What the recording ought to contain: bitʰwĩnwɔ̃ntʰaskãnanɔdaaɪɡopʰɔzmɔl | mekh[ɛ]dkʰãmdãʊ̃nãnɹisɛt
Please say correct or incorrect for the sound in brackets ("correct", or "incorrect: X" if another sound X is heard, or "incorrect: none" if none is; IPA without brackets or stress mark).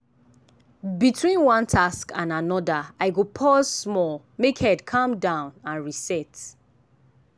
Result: correct